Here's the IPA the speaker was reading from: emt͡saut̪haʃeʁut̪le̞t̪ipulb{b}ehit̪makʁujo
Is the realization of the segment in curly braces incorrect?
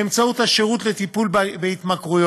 no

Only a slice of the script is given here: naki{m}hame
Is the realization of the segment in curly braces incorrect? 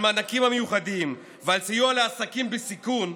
no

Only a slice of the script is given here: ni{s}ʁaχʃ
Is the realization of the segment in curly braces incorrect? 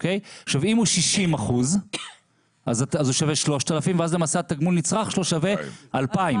yes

